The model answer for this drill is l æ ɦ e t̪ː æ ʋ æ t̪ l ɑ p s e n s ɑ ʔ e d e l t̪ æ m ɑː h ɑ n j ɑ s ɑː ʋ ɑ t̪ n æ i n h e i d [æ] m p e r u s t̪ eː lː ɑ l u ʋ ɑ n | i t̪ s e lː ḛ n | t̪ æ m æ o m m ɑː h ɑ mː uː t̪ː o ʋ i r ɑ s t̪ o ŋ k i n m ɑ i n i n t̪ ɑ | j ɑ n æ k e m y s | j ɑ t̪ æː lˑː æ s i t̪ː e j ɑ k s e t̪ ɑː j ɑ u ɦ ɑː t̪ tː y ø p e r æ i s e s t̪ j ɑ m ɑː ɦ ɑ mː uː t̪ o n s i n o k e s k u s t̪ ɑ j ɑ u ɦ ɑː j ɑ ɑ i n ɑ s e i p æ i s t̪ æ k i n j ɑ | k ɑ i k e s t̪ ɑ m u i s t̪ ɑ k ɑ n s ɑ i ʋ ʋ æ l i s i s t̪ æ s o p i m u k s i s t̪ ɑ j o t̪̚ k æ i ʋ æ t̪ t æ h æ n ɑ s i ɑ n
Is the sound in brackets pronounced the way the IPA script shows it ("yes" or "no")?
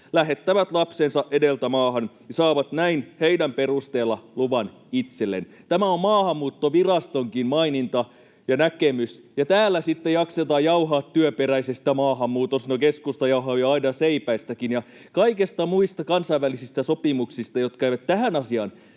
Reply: yes